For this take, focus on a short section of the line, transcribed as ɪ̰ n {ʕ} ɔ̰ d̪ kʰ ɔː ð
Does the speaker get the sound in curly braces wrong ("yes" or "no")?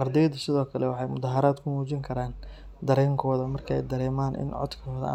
no